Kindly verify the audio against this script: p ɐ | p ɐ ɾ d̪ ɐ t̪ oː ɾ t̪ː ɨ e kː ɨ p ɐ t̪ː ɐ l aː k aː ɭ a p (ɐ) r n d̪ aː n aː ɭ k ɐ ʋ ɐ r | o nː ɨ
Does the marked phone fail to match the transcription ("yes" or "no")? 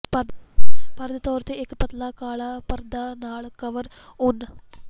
no